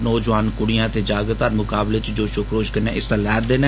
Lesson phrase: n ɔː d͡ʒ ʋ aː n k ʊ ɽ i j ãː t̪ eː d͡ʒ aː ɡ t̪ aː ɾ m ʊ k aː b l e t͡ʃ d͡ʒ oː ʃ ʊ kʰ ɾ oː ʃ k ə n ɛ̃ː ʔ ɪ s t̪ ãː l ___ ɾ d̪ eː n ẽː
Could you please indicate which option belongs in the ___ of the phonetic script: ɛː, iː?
ɛː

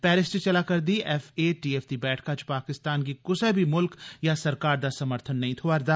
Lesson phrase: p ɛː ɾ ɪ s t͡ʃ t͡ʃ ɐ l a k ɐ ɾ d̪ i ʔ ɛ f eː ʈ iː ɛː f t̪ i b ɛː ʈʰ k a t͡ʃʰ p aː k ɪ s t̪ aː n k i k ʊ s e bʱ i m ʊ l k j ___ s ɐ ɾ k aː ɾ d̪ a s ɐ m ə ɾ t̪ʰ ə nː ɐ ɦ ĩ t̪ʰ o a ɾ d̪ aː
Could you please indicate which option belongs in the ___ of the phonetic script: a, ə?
a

